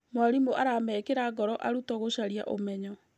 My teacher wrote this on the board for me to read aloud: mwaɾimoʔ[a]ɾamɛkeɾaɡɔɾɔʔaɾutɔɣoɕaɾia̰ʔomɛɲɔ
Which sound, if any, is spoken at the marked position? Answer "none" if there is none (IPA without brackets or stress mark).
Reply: a